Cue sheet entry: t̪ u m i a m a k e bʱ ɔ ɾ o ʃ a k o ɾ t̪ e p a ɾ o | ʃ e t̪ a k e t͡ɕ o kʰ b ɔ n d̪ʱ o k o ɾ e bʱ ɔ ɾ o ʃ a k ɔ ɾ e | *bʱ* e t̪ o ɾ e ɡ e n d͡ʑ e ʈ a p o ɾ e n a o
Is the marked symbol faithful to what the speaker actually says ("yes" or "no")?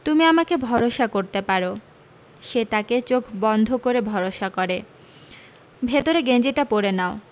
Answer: yes